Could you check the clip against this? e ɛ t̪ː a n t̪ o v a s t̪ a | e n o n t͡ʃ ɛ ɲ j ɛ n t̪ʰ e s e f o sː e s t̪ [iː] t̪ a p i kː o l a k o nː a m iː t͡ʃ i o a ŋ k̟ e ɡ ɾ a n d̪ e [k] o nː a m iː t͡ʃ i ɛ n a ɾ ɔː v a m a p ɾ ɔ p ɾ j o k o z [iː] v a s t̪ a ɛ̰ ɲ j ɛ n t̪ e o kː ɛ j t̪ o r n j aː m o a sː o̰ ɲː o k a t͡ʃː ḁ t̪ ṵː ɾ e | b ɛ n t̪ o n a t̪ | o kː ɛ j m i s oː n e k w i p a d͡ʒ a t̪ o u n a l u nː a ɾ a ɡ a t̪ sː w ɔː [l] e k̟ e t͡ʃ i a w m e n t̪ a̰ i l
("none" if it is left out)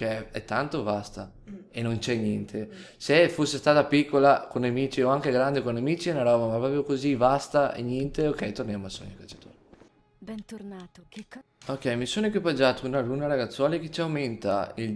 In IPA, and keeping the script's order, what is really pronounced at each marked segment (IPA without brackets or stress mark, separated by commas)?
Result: aː, k, i, l